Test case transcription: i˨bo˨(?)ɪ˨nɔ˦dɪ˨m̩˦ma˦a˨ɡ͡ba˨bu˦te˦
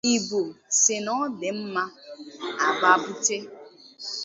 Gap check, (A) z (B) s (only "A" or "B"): B